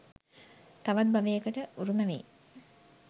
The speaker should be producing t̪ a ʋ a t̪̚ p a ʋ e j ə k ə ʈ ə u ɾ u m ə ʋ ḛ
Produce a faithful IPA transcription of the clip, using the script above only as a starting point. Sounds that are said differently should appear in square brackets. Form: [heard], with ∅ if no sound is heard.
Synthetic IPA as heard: t̪ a ʋ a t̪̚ [b] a ʋ e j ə k ə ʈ ə u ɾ u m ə ʋ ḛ